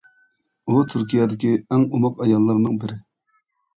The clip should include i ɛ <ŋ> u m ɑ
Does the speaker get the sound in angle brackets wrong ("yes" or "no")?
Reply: no